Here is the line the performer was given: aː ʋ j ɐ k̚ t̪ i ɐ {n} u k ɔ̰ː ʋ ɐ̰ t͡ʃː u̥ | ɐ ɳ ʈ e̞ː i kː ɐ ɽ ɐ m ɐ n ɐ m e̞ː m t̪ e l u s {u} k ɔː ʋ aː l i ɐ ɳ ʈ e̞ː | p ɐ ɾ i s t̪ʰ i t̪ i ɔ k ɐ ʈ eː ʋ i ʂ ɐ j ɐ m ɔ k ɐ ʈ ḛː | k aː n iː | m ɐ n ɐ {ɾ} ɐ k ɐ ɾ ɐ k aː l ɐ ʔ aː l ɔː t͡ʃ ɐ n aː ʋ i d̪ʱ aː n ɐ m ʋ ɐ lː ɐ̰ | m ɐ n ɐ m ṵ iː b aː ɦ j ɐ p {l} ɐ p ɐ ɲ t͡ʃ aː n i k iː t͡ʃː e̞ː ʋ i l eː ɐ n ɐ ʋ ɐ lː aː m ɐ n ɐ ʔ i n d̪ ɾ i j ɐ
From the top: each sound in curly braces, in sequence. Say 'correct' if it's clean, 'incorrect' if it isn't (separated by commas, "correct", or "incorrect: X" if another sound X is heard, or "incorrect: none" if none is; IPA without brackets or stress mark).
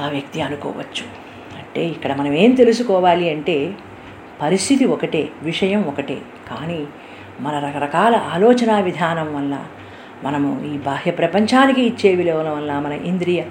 correct, correct, correct, incorrect: ɾ